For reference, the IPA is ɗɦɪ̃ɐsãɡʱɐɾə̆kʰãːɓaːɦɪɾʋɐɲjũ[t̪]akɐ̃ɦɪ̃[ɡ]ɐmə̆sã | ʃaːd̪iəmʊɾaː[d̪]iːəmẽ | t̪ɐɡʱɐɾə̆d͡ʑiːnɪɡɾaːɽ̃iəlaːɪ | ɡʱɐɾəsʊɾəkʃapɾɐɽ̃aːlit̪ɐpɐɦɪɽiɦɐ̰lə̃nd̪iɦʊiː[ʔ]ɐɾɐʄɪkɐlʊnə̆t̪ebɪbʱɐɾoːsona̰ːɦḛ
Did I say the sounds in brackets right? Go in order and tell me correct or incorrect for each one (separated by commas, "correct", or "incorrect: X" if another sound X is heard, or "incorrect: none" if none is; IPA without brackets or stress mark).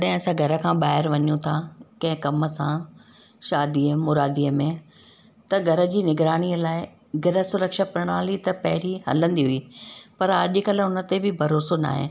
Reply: incorrect: t̪ʰ, incorrect: k, correct, incorrect: p